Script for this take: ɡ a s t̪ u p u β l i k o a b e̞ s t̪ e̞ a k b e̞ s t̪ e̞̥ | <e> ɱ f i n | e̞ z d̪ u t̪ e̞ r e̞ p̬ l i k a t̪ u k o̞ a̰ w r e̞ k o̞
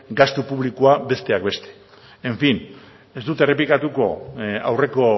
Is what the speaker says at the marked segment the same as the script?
yes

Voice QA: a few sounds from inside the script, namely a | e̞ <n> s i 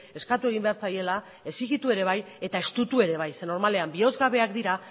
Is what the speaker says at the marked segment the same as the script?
no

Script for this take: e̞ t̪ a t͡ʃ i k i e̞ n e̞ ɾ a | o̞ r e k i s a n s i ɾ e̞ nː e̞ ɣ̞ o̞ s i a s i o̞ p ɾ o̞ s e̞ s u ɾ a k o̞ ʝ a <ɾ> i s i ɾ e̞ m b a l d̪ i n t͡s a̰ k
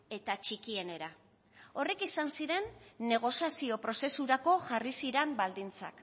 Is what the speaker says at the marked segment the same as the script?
no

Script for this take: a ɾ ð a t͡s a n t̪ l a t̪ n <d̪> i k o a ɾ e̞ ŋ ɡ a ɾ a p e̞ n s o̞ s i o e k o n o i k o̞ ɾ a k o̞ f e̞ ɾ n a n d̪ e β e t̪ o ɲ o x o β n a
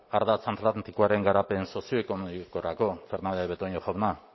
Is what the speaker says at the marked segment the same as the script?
no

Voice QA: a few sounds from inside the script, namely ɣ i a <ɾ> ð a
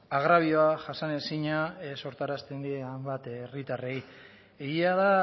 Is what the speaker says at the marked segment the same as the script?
no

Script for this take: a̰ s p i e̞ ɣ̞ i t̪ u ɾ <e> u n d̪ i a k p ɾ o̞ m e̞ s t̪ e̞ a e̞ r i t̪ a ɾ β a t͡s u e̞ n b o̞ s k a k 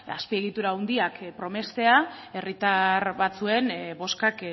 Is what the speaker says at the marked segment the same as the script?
no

